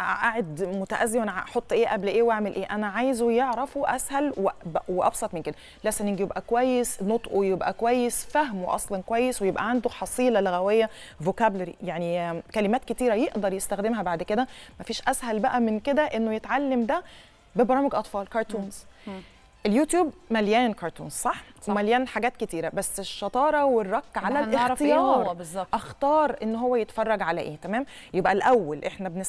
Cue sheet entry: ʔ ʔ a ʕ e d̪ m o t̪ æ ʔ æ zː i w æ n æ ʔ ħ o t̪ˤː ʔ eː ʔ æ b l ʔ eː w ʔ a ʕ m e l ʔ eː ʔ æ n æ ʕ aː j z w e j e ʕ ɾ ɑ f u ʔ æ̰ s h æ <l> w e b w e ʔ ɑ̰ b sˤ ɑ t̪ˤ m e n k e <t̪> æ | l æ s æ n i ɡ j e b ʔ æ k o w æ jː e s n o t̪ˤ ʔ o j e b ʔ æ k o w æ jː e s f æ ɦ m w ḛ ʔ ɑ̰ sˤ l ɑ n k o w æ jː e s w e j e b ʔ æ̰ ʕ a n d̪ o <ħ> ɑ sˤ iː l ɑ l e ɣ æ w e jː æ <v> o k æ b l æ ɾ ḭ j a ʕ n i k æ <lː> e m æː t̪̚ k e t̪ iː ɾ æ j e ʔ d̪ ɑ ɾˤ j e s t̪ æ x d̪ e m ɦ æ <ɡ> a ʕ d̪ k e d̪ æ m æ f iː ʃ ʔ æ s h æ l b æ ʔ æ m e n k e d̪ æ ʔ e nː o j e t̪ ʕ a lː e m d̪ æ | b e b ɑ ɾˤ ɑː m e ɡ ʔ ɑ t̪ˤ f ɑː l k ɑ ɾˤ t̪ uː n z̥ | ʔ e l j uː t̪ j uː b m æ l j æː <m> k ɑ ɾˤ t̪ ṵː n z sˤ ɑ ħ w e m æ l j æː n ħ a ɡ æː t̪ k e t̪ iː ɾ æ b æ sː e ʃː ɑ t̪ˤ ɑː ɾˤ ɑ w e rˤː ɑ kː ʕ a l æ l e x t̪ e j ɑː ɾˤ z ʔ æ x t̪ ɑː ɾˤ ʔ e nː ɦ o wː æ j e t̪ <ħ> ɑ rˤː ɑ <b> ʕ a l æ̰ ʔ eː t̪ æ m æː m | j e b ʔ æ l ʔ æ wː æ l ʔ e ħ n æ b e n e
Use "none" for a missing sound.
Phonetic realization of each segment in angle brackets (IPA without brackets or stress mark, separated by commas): l, d̪, ħ, v, l, b, n, f, ɡ